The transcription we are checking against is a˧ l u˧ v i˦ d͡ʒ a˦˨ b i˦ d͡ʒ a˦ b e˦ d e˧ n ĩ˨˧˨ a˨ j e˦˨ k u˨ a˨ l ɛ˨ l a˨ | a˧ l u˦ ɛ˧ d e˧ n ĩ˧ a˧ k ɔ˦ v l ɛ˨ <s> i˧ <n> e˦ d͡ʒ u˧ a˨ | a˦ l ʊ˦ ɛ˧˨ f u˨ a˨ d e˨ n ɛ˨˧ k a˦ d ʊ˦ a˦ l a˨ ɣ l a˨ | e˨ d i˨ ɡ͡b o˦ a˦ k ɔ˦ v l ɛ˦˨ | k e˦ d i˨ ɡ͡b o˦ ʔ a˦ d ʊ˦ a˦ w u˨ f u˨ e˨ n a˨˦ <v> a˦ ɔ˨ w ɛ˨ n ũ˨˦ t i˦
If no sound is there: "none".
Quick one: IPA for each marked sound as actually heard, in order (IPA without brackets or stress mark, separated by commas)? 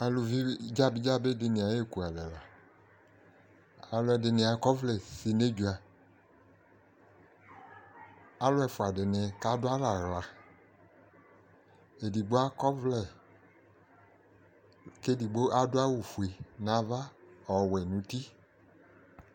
s, n, v